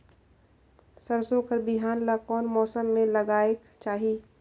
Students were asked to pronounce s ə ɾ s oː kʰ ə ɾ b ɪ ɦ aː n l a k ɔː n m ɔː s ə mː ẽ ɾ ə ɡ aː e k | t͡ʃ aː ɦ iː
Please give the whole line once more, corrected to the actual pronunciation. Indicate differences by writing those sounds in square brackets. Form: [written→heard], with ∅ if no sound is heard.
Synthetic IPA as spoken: s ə ɾ s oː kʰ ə ɾ b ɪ ɦ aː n l a k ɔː n m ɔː s ə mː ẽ [ɾ→l] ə ɡ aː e k | t͡ʃ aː ɦ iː